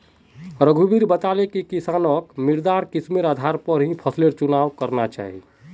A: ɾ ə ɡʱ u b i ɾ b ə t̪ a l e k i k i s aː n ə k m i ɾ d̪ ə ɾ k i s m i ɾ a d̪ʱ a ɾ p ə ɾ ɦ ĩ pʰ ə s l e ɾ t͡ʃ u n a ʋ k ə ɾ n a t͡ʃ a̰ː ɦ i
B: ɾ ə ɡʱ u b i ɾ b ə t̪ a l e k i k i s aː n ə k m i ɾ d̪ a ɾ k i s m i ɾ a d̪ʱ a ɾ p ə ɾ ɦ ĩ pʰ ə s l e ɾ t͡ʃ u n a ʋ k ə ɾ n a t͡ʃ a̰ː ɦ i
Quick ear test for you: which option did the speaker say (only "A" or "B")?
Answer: B